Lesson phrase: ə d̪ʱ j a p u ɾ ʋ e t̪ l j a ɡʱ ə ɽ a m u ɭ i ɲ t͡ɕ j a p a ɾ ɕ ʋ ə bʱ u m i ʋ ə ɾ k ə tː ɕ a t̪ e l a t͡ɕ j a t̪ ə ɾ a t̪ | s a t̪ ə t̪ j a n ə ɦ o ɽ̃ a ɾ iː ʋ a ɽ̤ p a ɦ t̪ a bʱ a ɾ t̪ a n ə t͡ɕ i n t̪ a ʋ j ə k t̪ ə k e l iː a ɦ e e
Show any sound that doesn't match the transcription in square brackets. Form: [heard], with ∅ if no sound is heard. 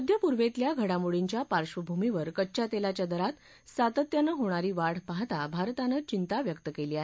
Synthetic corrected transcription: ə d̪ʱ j [ə] p u ɾ ʋ e t̪ l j a ɡʱ ə ɽ a m u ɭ i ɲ t͡ɕ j a p a ɾ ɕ ʋ ə bʱ u m i ʋ ə ɾ k ə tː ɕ a t̪ e l a t͡ɕ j a [d̪] ə ɾ a t̪ | s a t̪ ə t̪ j a n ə ɦ o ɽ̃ a ɾ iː ʋ a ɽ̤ p a ɦ t̪ a bʱ a ɾ t̪ a n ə t͡ɕ i n t̪ a ʋ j ə k t̪ ə k e l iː a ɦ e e